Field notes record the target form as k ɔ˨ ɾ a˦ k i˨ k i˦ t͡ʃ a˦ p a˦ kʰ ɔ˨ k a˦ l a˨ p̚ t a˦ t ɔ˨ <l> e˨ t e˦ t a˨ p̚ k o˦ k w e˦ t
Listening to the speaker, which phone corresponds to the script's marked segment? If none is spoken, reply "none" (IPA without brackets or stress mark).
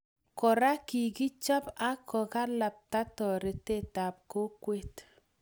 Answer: ɾ